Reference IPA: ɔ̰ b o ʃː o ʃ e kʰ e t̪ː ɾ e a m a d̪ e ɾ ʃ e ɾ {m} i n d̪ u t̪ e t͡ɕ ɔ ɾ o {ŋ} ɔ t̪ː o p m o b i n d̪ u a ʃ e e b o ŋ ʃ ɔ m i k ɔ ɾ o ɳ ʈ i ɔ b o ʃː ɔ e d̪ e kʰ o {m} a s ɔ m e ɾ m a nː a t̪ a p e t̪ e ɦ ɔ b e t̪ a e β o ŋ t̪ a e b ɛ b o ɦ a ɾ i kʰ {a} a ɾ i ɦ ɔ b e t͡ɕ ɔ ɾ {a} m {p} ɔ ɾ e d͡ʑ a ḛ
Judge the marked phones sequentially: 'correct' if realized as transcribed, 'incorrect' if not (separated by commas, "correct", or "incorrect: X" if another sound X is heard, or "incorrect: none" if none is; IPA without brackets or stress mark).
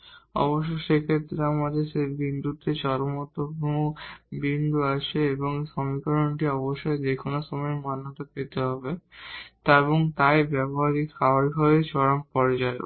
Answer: incorrect: b, incorrect: m, incorrect: n, correct, correct, correct